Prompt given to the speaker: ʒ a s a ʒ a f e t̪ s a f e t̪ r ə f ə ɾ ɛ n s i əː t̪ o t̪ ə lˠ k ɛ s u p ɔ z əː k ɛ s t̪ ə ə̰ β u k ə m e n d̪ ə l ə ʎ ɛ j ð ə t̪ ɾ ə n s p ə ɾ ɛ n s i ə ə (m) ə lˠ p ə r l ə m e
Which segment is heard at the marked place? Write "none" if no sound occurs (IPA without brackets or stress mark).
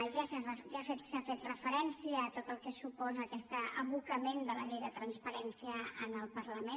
n